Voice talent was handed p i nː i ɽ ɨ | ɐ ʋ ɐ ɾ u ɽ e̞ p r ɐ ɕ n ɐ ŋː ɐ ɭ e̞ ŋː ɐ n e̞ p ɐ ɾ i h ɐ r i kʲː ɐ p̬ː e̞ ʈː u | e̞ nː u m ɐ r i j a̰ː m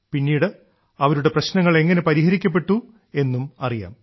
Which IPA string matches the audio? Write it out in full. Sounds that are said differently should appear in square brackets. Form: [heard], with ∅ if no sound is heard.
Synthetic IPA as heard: p i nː [iː] ɽ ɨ | ɐ ʋ ɐ ɾ u ɽ e̞ p r ɐ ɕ n ɐ ŋː ɐ ɭ e̞ ŋː ɐ n e̞ p ɐ ɾ i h ɐ [ɾ] i kʲː ɐ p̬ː e̞ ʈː u | e̞ nː u m ɐ r i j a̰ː m